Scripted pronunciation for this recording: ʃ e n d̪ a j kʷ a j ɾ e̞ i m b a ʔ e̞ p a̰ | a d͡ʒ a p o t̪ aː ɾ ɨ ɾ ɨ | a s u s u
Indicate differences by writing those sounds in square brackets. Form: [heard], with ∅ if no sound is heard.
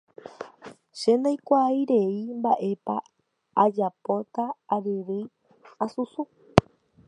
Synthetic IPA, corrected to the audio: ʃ e n d̪ a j kʷ a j ɾ e̞ i m b a ʔ e̞ p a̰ | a d͡ʒ a p o t̪ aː ɾ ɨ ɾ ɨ | a s u s u